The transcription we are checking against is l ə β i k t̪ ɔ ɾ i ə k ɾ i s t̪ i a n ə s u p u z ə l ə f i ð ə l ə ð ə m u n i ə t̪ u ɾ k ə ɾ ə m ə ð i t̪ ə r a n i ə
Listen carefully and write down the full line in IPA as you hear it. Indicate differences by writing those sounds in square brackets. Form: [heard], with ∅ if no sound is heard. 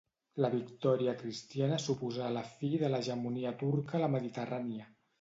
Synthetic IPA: l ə β i k t̪ ɔ ɾ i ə k ɾ i s t̪ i a n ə s u p u z [a] l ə f i ð ə l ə [ʒ] ə m u n i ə t̪ u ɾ k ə [l] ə m ə ð i t̪ ə r a n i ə